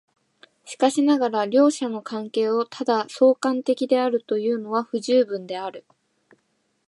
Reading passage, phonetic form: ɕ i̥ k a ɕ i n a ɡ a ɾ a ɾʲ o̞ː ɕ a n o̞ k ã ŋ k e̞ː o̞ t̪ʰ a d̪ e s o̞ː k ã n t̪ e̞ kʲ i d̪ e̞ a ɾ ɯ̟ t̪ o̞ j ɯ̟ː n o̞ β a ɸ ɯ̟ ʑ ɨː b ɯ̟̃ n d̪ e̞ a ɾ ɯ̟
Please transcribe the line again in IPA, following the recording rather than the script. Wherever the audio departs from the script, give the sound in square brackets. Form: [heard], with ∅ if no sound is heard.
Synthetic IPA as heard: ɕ i̥ k a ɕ i n a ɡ a ɾ a ɾʲ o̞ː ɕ a n o̞ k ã ŋ k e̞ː o̞ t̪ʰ a d̪ [a] s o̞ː k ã n t̪ e̞ kʲ i d̪ e̞ a ɾ ɯ̟ t̪ o̞ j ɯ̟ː n o̞ β a ɸ ɯ̟ ʑ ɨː b ɯ̟̃ n d̪ e̞ a ɾ ɯ̟